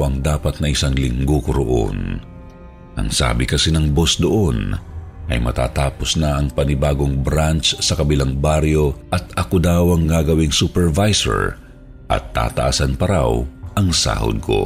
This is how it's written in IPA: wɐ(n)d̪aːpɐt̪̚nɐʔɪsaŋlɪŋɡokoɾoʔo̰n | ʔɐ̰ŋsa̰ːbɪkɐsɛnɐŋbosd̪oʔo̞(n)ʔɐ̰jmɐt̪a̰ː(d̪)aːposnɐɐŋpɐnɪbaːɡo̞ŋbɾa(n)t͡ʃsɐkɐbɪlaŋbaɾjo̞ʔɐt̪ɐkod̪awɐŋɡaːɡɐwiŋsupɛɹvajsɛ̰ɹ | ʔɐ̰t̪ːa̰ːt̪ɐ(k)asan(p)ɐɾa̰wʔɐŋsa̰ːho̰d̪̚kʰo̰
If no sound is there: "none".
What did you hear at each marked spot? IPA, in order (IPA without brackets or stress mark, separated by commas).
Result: ŋ, n, t̪, n, ʔ, p